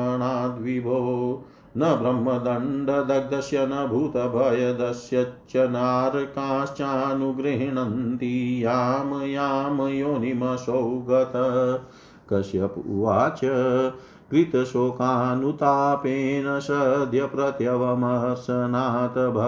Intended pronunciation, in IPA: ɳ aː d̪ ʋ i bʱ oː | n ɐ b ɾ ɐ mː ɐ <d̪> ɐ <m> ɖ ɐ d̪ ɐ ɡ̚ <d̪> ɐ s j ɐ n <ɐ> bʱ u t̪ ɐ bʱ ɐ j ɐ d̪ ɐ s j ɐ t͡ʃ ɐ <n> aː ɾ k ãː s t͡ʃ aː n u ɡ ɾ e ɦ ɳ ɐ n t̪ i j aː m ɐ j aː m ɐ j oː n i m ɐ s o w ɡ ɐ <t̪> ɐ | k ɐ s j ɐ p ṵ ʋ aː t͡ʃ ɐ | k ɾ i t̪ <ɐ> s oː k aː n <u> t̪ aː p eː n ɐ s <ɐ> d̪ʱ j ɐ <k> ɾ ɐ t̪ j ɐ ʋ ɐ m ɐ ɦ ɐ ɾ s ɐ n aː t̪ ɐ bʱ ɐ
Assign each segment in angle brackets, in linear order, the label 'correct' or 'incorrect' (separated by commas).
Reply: correct, incorrect, correct, correct, correct, correct, correct, correct, correct, incorrect